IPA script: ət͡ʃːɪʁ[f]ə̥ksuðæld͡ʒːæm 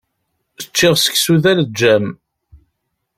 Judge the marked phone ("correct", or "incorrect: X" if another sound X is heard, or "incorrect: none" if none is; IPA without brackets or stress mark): incorrect: s